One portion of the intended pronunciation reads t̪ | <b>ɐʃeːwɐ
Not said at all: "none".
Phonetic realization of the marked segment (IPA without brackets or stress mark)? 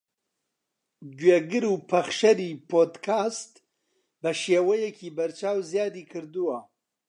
b